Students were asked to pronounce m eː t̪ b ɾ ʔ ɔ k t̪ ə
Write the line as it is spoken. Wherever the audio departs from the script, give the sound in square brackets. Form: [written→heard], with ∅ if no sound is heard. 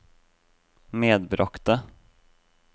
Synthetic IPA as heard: m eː [t̪→d̪] b ɾ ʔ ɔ k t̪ ə